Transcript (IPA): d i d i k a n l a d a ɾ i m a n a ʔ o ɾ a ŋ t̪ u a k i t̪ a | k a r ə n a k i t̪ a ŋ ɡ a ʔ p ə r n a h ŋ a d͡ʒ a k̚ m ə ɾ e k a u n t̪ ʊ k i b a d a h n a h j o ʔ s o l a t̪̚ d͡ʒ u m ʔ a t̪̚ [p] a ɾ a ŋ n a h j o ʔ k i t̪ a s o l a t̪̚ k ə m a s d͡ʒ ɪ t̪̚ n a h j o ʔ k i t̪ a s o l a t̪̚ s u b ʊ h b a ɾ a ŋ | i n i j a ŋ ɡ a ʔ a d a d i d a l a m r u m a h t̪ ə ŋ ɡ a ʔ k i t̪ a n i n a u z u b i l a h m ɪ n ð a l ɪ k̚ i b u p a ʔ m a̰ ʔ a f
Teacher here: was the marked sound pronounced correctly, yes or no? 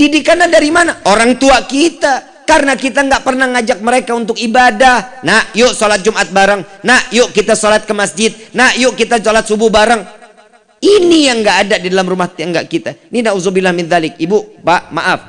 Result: no